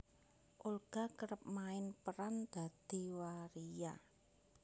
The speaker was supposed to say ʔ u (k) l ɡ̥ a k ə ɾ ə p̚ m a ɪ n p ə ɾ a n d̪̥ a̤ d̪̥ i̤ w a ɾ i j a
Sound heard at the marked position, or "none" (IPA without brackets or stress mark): none